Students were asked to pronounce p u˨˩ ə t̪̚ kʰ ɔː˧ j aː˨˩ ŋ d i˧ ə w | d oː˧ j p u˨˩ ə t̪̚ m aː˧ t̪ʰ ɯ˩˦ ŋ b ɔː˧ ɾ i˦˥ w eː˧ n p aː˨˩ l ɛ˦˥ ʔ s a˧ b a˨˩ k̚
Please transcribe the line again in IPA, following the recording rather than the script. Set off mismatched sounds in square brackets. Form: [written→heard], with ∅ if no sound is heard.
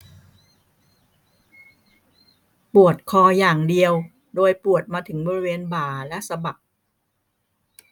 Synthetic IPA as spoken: p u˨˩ ə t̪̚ kʰ ɔː˧ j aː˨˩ ŋ d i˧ ə w | d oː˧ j p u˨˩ ə t̪̚ m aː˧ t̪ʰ ɯ˩˦ ŋ b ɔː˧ ɾ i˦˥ w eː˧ n [p→b] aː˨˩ l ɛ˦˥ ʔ s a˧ b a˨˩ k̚

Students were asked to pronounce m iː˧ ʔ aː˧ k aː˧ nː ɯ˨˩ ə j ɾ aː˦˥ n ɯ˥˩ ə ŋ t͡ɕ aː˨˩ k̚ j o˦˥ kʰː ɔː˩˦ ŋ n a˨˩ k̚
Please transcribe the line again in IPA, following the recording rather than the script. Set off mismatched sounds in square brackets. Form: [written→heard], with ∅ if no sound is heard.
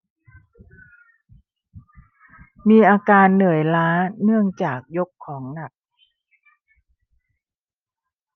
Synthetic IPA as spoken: m iː˧ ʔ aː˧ k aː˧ nː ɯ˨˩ ə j [ɾ→l] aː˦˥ n ɯ˥˩ ə ŋ t͡ɕ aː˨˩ k̚ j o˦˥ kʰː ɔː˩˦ ŋ n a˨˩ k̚

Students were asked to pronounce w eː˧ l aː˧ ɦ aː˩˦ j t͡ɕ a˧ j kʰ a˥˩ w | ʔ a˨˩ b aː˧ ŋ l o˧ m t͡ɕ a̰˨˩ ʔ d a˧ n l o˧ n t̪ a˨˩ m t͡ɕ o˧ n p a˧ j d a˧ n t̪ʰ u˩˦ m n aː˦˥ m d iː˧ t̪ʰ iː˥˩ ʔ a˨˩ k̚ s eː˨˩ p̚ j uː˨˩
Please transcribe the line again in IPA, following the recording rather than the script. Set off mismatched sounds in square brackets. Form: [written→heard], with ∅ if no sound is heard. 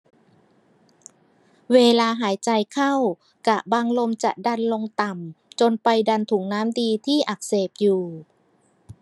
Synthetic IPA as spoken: w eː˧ l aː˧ ɦ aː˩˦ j t͡ɕ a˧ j kʰ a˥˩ w | [ʔ→k] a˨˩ b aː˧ ŋ l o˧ m t͡ɕ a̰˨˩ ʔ d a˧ n l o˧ [n→ŋ] t̪ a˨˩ m t͡ɕ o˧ n p a˧ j d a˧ n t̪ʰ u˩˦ [m→ŋ] n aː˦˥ m d iː˧ t̪ʰ iː˥˩ ʔ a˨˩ k̚ s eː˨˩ p̚ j uː˨˩

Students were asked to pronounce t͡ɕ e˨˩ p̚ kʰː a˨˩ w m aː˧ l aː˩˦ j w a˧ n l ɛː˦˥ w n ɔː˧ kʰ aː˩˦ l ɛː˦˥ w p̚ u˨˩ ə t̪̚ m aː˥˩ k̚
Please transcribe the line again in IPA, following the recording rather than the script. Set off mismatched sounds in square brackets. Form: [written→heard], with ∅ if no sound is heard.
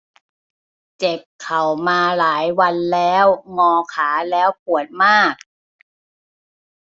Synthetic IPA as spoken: t͡ɕ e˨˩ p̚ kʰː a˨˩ w m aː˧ l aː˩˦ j w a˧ n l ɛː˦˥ w [n→ŋ] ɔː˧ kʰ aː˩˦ l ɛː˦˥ w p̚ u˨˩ ə t̪̚ m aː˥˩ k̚

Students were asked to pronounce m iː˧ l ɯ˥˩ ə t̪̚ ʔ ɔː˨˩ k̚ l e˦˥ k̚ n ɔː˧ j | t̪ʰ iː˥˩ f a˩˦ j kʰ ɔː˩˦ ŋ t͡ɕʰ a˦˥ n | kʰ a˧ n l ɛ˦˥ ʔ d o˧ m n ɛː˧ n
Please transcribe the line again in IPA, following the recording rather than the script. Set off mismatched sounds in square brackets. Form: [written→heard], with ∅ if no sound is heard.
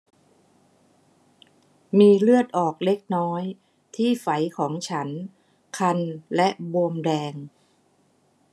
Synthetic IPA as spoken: m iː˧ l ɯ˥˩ ə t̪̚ ʔ ɔː˨˩ k̚ l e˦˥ k̚ n [ɔː˧→ɔː˦˥] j | t̪ʰ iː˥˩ f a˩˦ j kʰ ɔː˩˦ ŋ t͡ɕʰ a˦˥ n | kʰ a˧ n l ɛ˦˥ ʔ [d→b] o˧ m [n→d] ɛː˧ [n→ŋ]

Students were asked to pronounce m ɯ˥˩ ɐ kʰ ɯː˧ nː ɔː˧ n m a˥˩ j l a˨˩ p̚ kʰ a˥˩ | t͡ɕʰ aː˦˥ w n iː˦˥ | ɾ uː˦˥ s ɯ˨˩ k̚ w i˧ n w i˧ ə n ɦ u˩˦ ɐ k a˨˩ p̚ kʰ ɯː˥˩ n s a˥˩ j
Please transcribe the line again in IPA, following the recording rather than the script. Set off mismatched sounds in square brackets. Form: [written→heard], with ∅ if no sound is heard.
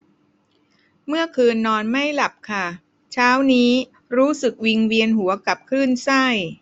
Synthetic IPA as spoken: m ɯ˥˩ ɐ kʰ ɯː˧ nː ɔː˧ n m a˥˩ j l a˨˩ p̚ kʰ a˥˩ | t͡ɕʰ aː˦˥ w n iː˦˥ | ɾ uː˦˥ s ɯ˨˩ k̚ w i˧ [n→ŋ] w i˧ ə n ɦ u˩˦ ɐ k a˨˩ p̚ kʰ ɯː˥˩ n s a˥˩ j

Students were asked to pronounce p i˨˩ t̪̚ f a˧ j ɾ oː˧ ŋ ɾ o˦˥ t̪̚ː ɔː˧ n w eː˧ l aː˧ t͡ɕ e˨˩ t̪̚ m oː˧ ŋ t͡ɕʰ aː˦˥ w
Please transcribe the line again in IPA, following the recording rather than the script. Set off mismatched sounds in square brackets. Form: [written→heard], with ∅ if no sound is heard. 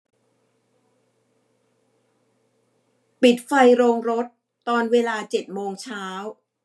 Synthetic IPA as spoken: p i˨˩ t̪̚ f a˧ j ɾ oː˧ ŋ ɾ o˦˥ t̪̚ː ɔː˧ n w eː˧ l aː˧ t͡ɕ e˨˩ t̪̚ m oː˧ ŋ t͡ɕʰ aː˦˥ w

